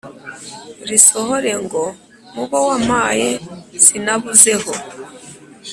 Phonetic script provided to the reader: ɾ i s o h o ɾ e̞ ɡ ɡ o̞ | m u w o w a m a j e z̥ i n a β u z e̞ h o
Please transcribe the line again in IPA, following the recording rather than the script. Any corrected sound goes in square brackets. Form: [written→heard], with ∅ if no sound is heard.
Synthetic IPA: ɾ i s o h o ɾ e̞ [ɡ→ŋ] ɡ o̞ | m u [w→β] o w a m a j e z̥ i n a β u z e̞ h o